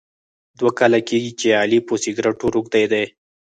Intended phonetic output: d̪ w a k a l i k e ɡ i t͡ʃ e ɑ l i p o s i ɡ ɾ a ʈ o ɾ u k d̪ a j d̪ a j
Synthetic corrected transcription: d̪ w a k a l a k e ɡ i t͡ʃ e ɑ l i p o s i ɡ ɾ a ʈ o ɾ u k d̪ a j d̪ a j